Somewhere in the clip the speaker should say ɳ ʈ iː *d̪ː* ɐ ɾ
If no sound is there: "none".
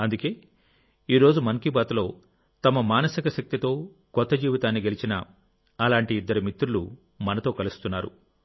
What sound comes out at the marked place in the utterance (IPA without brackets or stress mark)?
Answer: d̪ː